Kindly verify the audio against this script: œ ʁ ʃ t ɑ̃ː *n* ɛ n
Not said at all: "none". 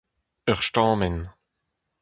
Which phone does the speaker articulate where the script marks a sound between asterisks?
m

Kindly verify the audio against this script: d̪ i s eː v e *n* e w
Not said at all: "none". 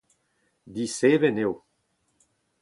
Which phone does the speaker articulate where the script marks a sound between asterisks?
n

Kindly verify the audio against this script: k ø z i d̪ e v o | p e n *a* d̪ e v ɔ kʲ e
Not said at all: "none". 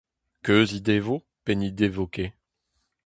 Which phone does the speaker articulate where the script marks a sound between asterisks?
i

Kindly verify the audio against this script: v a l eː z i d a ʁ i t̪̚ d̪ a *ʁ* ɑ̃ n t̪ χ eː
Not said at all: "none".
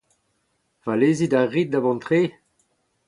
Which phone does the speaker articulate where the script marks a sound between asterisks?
v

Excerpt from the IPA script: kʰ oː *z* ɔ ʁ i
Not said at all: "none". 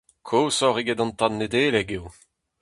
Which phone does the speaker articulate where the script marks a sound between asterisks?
s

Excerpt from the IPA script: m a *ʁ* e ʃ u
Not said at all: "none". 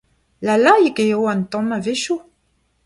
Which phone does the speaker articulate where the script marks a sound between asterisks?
v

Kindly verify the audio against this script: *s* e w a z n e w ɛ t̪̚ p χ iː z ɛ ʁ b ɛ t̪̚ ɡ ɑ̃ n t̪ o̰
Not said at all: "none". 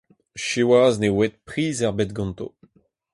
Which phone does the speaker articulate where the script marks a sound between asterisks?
ʃ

